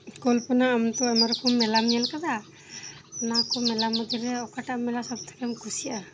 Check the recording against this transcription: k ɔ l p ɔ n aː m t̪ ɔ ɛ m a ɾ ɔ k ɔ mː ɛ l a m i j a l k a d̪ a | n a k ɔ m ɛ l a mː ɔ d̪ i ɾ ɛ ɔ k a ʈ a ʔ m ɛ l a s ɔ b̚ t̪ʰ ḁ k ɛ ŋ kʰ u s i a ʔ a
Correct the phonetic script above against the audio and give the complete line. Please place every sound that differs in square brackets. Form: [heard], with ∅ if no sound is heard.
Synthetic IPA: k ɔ l p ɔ n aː m t̪ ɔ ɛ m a ɾ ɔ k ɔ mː ɛ l a m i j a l k a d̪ a | n a k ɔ m ɛ l a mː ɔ d̪ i ɾ ɛ ɔ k a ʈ a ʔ m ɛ l a s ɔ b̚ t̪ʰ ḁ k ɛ [m] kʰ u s i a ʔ a